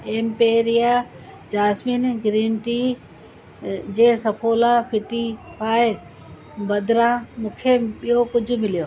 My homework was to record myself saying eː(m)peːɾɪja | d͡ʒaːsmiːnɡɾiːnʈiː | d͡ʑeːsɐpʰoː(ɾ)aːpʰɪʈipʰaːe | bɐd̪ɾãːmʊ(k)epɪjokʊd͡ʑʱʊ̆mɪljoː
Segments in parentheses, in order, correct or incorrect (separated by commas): correct, incorrect, incorrect